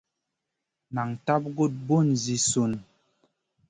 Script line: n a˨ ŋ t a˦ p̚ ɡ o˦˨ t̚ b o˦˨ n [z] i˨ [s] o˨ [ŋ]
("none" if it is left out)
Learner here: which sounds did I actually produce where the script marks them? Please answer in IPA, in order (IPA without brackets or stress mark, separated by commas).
z, s, n